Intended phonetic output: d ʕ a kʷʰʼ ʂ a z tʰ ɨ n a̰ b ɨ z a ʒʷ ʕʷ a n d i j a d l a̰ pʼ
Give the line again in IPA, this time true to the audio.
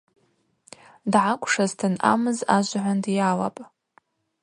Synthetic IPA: d ʕ a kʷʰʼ ʂ a z tʰ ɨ n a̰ m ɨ z a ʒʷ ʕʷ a n d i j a l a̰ pʼ

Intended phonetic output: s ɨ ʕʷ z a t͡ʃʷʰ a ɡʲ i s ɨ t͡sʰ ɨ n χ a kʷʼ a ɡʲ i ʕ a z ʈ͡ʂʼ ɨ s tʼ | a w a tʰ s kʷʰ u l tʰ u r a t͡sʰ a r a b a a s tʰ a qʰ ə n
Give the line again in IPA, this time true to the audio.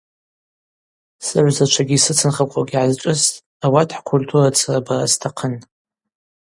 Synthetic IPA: s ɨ ʕʷ z a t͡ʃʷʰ a ɡʲ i s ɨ t͡sʰ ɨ n χ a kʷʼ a ɡʲ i ʕ a z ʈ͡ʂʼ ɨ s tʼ | a w a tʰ ħ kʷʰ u l tʰ u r a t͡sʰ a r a b a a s tʰ a qʰ ə n

